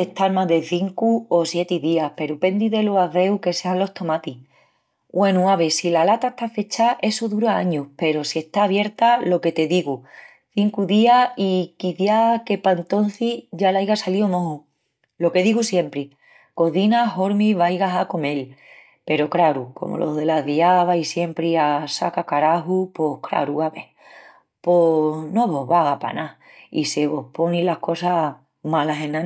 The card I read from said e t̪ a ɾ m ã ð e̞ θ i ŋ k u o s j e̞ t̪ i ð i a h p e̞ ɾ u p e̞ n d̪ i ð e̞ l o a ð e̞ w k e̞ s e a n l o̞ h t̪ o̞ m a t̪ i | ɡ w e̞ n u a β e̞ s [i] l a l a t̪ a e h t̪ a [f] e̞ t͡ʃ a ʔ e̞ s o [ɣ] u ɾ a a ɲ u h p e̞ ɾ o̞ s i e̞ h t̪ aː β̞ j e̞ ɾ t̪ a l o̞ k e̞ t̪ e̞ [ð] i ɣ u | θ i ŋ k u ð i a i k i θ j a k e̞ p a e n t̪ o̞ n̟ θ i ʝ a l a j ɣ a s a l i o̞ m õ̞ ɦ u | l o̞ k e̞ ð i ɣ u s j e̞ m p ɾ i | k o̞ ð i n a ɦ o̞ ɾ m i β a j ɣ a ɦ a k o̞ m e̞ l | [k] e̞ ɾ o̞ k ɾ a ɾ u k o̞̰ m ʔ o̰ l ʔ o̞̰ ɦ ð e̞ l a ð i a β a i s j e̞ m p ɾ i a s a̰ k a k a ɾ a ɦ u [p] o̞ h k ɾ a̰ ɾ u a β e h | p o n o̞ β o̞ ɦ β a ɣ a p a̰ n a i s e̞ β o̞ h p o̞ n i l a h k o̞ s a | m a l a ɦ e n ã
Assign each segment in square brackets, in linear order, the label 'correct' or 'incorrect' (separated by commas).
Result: correct, correct, incorrect, correct, incorrect, correct